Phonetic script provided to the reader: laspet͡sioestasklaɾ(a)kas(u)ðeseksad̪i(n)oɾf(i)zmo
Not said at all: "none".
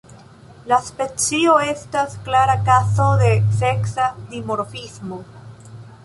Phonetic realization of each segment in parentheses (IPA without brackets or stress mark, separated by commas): a, o, m, i